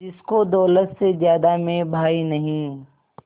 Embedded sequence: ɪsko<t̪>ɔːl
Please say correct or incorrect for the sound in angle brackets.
incorrect